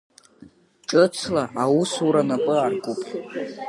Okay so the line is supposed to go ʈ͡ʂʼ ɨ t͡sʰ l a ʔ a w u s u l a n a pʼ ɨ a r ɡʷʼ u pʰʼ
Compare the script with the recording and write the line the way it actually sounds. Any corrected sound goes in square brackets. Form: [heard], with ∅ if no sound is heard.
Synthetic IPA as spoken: ʈ͡ʂʼ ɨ t͡sʰ l a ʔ a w u s u [ɾ] a n a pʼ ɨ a r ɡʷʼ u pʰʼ